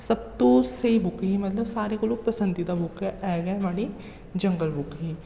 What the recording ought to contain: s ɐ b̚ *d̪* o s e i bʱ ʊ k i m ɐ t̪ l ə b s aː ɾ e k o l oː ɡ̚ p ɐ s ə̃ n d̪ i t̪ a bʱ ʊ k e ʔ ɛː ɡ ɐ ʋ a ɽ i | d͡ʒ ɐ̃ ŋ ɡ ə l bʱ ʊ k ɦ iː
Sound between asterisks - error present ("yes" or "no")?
yes